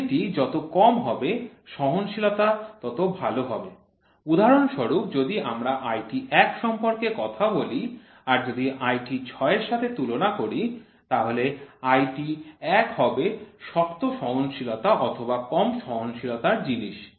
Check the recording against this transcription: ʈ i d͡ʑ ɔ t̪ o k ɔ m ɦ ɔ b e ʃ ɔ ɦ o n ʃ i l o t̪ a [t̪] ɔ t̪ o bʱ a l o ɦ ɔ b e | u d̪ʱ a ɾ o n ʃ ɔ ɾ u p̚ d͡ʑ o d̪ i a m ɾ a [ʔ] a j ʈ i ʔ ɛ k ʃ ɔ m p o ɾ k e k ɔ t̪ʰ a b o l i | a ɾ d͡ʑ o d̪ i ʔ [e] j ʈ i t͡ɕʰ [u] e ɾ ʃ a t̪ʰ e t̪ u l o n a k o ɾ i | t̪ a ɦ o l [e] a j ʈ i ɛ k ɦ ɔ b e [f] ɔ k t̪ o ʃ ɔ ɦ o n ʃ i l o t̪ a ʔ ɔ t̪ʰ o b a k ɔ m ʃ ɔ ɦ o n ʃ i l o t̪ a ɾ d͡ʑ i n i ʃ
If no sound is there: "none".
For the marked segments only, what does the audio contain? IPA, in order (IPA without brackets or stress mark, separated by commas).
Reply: t̪, ʔ, a, ɔ, e, ʃ